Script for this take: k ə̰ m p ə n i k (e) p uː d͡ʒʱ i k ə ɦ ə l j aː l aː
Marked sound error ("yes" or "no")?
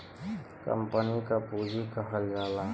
yes